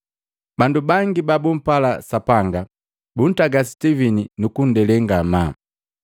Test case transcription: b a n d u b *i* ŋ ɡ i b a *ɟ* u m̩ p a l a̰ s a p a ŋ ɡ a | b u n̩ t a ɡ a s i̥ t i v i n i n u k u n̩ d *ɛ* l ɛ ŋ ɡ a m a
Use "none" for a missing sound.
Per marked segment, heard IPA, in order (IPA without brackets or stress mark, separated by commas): a, b, ɛ